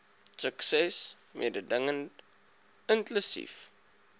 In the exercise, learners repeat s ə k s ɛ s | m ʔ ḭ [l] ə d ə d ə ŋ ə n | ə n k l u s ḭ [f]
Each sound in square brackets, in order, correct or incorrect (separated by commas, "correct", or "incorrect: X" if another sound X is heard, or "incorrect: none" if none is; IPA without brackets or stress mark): incorrect: none, correct